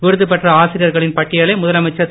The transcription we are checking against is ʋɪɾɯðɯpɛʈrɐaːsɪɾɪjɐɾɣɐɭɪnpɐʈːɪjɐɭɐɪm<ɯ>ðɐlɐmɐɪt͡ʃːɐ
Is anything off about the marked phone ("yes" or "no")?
yes